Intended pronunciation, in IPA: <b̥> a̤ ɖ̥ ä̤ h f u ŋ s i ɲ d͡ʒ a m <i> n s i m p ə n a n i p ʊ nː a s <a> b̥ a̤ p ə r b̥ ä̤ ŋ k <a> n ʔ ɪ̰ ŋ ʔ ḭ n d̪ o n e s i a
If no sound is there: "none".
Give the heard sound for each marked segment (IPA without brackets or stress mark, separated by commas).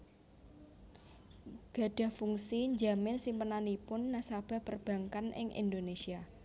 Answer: ɡ̥, ɪ, a, a